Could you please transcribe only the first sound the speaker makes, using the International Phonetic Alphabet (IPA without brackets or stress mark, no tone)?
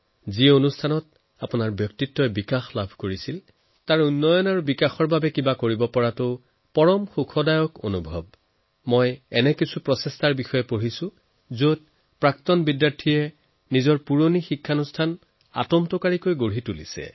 z